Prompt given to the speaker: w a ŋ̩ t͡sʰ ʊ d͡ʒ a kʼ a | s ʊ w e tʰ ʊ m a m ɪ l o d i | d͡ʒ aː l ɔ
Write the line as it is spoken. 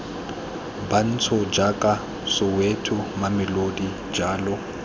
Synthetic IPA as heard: b a n̩ t͡sʰ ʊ d͡ʒ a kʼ a | s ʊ w e tʰ ʊ m a m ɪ l o d i | d͡ʒ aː l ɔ